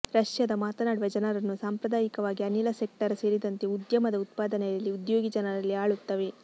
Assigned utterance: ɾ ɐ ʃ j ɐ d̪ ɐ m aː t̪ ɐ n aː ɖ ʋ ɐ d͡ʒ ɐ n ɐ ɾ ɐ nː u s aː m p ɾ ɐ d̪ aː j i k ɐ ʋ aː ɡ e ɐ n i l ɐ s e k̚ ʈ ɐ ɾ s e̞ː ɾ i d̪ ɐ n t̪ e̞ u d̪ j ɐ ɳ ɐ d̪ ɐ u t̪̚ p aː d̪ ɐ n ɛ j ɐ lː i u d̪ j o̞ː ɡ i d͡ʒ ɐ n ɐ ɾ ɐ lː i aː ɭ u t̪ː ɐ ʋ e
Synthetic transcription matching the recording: ɾ ɐ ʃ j ɐ d̪ ɐ m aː t̪ ɐ n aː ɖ ʋ ɐ d͡ʒ ɐ n ɐ ɾ ɐ nː u s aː m p ɾ ɐ d̪ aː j i k ɐ ʋ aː ɡ i ɐ n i l ɐ s e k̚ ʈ ɐ ɾ s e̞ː ɾ i d̪ ɐ n t̪ e̞ u d̪ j ɐ m ɐ d̪ ɐ u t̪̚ p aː d̪ ɐ n ɛ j ɐ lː i u d̪ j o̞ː ɡ i d͡ʒ ɐ n ɐ ɾ ɐ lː i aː ɭ u t̪ː ɐ ʋ e